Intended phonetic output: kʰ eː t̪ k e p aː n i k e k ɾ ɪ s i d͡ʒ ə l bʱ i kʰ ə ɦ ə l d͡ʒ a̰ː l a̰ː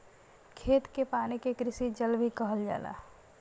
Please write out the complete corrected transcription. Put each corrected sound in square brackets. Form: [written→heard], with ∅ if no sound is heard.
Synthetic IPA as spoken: kʰ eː t̪ k e p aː n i k e k ɾ ɪ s i d͡ʒ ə l bʱ i [kʰ→k] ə ɦ ə l d͡ʒ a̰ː l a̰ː